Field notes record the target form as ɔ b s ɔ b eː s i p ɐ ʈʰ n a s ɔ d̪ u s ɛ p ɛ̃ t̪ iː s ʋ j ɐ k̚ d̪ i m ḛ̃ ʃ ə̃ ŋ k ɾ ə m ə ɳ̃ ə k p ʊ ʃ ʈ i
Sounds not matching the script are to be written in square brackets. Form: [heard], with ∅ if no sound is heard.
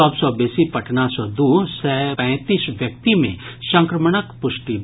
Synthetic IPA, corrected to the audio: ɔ b s ɔ b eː s i p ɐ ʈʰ n a s ɔ d̪ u s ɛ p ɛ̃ t̪ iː s ʋ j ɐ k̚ [t̪] i m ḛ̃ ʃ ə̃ ŋ k ɾ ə m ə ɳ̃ ə k p ʊ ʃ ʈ i